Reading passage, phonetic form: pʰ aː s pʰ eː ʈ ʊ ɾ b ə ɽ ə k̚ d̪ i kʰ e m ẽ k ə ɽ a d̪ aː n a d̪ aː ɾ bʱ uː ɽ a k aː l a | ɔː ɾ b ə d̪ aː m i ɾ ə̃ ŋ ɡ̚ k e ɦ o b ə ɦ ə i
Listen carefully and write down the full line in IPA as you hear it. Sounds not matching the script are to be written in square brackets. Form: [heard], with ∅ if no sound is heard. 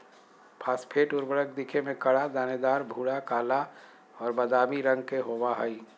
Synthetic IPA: pʰ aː s pʰ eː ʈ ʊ ɾ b ə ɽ ə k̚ d̪ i kʰ e m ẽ k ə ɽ a d̪ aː n [e] d̪ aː ɾ bʱ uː ɽ a k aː l a | ɔː ɾ b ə d̪ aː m i ɾ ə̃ ŋ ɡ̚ k e ɦ o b [a] ɦ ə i